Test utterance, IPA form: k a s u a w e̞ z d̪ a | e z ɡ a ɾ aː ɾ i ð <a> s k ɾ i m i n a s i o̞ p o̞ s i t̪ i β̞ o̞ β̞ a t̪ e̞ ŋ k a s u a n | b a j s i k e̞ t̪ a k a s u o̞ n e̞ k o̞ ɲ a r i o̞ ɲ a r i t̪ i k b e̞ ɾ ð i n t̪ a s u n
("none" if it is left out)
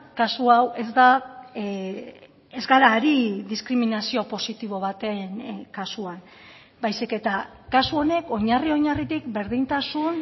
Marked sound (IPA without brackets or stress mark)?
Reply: i